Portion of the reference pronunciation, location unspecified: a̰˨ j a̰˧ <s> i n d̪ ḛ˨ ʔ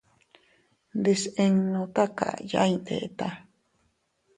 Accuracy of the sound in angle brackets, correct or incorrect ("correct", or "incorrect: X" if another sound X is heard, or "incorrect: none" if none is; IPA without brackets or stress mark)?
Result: incorrect: none